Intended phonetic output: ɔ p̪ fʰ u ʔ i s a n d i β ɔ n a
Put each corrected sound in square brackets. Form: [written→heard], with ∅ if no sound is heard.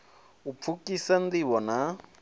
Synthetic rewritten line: [ɔ→u] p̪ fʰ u [ʔ→k] i s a n d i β ɔ n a